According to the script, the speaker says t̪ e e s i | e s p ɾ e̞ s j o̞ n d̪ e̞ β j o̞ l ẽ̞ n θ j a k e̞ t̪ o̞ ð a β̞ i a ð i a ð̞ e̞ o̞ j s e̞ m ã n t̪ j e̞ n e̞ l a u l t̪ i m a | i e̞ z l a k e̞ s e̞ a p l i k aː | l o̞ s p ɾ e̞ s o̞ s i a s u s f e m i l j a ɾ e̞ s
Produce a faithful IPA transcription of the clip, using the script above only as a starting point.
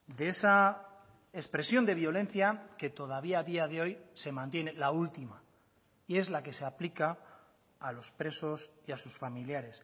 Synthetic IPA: d̪ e e s a | e s p ɾ e̞ s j o̞ n d̪ e̞ β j o̞ l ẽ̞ n θ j a k e̞ t̪ o̞ ð a β̞ i a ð i a ð̞ e̞ o̞ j s e̞ m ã n t̪ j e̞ n e̞ l a u l t̪ i m a | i e̞ z l a k e̞ s e̞ a p l i k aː | l o̞ s p ɾ e̞ s o̞ s i a s u s f a m i l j a ɾ e̞ s